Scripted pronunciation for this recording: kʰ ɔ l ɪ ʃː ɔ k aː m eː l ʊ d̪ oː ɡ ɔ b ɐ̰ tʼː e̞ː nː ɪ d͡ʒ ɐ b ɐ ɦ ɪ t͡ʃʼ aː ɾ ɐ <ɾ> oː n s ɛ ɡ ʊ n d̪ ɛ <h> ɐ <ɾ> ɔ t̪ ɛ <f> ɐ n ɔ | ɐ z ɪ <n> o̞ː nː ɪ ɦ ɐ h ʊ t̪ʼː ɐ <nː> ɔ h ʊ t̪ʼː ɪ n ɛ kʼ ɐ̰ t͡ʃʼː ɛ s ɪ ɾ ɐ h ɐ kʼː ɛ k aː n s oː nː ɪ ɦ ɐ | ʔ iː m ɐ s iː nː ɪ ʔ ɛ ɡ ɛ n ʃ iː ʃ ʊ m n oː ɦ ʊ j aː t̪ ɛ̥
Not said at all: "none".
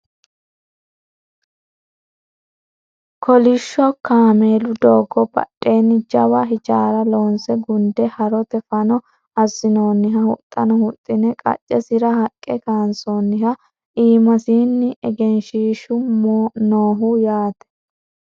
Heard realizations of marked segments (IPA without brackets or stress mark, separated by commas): l, h, ɾ, f, n, n